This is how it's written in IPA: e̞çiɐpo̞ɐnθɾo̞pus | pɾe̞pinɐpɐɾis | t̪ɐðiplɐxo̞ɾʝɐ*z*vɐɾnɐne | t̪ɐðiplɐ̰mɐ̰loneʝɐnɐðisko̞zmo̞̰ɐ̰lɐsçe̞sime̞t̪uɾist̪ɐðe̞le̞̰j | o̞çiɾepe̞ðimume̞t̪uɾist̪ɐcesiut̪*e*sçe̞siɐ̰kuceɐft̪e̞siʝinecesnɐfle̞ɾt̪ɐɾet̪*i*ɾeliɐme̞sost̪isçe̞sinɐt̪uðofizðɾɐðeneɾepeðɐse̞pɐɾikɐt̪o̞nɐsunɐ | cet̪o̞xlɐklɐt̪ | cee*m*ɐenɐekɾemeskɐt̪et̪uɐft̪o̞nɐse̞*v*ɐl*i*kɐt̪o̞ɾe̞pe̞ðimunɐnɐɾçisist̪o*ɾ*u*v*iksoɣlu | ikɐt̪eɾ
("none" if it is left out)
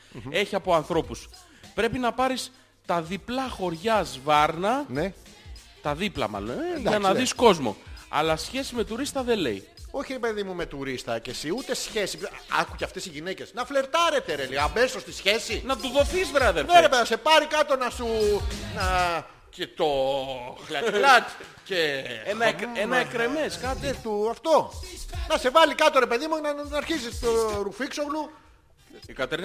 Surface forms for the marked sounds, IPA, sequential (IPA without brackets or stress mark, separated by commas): z, e, e, n, v, i, ɾ, f